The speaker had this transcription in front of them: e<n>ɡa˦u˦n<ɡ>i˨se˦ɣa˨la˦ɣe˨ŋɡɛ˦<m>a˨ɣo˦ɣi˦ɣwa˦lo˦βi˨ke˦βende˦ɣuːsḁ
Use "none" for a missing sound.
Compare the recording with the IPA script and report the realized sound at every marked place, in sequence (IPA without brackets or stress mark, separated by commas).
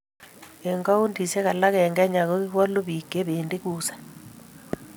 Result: ŋ, d, ɲ